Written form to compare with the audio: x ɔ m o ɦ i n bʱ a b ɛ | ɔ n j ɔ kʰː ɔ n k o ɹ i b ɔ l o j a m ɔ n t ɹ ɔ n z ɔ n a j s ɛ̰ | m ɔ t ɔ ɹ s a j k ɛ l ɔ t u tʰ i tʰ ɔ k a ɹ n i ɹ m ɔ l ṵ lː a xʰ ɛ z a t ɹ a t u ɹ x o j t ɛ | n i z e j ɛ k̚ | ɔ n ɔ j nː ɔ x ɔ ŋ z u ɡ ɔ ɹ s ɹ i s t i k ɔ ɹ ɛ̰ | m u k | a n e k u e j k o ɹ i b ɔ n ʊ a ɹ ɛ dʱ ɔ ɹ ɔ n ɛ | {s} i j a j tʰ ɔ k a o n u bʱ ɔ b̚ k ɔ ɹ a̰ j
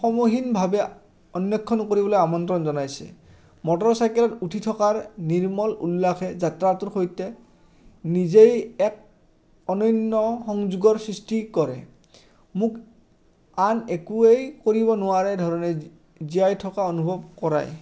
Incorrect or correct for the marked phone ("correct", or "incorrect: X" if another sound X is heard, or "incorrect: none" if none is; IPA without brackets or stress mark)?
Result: incorrect: z